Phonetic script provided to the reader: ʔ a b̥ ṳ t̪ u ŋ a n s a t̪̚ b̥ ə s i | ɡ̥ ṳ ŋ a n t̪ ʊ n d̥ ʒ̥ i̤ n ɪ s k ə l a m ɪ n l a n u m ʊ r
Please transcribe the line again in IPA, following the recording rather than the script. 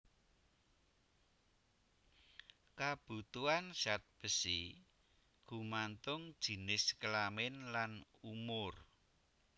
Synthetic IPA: k a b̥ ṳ t̪ u a n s a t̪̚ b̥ ə s i | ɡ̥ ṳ m a n t̪ ʊ ŋ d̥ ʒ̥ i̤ n ɪ s k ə l a m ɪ n l a n u m ʊ r